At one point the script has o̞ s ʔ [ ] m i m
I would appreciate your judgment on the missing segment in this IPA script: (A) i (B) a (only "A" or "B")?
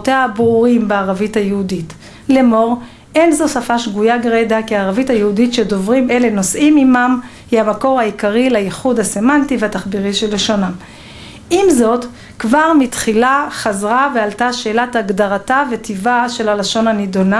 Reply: A